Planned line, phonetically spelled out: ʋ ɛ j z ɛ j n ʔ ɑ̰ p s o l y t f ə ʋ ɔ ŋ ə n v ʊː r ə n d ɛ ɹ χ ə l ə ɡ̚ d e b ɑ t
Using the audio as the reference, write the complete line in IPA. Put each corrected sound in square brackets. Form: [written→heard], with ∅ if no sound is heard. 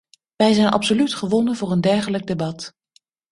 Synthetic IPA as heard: ʋ ɛ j z ɛ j n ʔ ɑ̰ p s o l y t [f→χ] ə ʋ ɔ [ŋ→n] ə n v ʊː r ə n d ɛ ɹ χ ə l ə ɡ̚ d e b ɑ t